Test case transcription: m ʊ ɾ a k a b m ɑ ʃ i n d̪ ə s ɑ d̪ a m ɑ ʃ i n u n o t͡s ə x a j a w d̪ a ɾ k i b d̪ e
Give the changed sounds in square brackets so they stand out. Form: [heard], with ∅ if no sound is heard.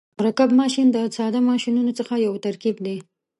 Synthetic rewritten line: m ʊ ɾ a k a b m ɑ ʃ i n d̪ ə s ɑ d̪ a m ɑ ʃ i n u n o t͡s ə x a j a w [t̪] a ɾ k i b d̪ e